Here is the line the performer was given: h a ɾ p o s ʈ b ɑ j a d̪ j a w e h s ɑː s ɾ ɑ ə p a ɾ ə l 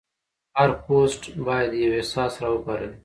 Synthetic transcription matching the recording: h a ɾ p o s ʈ b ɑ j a d̪ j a w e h s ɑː s ɾ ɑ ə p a ɾ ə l